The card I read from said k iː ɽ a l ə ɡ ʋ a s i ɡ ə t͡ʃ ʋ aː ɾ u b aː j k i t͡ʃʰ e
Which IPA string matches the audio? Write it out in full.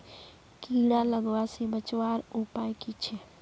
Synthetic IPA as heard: k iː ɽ a l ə ɡ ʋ a s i b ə t͡ʃ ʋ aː ɾ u p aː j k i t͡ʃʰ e